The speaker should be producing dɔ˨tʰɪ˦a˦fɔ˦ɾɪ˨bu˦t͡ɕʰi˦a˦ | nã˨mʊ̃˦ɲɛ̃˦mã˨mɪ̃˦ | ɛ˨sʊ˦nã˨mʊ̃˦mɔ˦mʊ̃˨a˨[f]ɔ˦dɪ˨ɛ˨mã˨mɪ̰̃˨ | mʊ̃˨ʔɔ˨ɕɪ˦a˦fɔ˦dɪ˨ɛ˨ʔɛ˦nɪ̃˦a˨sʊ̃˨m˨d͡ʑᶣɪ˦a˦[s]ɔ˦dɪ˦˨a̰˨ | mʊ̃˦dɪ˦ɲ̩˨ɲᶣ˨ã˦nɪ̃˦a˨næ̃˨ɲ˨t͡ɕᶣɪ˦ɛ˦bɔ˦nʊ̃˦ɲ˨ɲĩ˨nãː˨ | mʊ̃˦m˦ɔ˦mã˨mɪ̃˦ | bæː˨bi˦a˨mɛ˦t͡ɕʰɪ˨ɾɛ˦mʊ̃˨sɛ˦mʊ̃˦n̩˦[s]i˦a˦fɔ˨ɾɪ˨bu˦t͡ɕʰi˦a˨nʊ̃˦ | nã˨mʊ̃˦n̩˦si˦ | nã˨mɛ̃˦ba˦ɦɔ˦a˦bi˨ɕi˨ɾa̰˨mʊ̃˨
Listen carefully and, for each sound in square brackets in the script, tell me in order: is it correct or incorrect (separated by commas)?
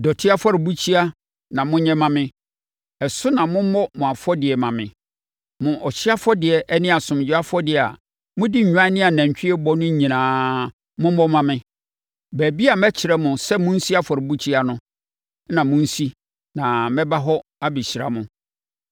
correct, incorrect, correct